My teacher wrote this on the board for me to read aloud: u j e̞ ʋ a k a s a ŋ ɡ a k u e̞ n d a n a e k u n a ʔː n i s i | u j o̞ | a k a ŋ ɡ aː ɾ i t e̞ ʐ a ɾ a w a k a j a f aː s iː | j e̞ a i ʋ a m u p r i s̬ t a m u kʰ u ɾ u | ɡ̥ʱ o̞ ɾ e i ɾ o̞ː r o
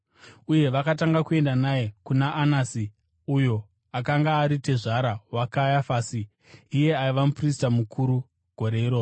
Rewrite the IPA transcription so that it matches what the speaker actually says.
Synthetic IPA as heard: u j e̞ ʋ a k a t a ŋ ɡ a k u e̞ n d a n a e k u n a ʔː n a s i | u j o̞ | a k a ŋ ɡ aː ɾ i t e̞ ʐ a ɾ a w a k a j a f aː s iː | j e̞ a i ʋ a m u p r i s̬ t a m u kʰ u ɾ u | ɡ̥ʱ o̞ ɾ e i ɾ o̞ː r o